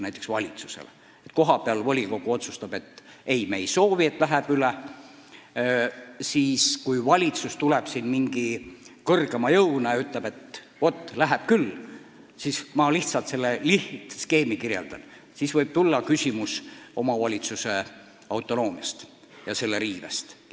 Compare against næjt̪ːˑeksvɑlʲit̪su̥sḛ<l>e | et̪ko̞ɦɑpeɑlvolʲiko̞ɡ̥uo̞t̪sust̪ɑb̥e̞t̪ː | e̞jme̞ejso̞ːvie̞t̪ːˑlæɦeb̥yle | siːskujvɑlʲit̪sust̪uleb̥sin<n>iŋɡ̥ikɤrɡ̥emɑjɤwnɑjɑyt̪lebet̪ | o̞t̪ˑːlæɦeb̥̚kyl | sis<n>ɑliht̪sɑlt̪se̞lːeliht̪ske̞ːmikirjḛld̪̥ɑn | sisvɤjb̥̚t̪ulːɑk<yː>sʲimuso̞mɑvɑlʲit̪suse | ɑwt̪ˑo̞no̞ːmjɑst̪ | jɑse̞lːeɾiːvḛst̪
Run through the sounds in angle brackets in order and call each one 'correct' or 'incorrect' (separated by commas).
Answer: correct, incorrect, incorrect, incorrect